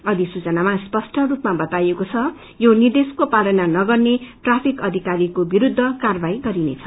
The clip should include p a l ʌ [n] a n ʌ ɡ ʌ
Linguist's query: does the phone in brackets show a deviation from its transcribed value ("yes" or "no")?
no